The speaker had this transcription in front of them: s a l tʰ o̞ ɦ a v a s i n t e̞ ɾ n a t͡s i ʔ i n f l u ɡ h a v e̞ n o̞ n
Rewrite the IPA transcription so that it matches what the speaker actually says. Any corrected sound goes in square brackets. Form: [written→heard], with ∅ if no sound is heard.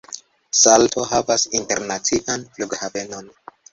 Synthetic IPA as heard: s a l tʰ o̞ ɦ a v a s i n t e̞ ɾ n a t͡s i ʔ [i→a] n f l u ɡ h a v e̞ n o̞ n